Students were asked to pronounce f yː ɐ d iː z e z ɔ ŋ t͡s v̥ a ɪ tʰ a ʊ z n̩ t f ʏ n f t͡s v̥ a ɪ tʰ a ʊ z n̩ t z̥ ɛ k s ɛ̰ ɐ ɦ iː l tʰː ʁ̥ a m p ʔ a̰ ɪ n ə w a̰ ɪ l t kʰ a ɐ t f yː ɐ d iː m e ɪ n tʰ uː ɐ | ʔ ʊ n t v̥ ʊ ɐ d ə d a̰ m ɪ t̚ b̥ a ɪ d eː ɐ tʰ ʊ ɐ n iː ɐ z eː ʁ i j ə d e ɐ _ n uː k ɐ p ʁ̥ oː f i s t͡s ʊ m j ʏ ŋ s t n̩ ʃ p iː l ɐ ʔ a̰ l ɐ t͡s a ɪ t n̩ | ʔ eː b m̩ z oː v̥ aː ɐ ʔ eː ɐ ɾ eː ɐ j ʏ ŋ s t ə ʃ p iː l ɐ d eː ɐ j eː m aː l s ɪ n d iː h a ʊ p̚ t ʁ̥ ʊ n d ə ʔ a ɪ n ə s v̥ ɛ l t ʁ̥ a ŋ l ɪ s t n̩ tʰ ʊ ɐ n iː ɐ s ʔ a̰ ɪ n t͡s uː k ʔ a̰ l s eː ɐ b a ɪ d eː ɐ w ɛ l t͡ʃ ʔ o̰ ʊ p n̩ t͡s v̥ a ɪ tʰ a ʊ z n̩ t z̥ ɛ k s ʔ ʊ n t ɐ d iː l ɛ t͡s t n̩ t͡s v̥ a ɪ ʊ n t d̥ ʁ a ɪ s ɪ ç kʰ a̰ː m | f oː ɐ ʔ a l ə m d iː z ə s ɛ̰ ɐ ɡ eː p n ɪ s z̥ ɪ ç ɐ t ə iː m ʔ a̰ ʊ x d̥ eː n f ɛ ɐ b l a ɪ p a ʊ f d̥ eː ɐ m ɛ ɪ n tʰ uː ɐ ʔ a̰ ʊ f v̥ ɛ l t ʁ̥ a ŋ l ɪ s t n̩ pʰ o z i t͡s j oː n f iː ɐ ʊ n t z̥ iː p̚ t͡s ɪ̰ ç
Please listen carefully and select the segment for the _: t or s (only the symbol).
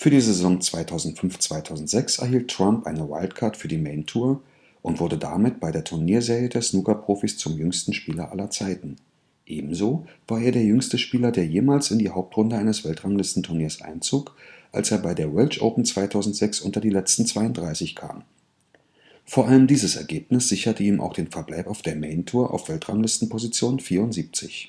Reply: s